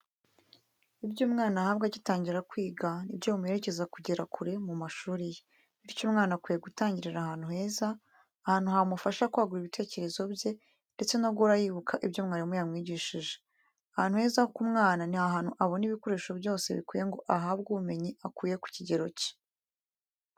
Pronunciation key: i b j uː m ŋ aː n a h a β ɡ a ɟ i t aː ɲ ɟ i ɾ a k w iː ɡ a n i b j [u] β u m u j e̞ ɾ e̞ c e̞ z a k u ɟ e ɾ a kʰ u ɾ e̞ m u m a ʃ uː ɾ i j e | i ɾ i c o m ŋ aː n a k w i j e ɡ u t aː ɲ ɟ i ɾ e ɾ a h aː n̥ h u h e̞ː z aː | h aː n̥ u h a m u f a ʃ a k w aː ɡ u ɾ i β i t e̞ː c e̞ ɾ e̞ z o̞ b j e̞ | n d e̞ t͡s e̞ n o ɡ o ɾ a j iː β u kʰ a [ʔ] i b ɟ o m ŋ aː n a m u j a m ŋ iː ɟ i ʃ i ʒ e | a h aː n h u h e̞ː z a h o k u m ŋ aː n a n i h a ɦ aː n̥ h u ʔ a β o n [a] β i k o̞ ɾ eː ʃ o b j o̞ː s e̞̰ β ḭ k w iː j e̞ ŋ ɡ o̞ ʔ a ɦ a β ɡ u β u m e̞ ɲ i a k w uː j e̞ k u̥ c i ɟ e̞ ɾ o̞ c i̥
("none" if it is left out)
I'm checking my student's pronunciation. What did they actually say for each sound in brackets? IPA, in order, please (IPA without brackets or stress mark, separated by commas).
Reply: o, ʔ, i